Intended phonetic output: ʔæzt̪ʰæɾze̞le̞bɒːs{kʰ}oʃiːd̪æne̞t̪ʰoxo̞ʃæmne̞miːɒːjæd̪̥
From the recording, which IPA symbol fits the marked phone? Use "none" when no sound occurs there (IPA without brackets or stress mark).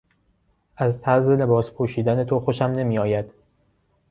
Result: pʰ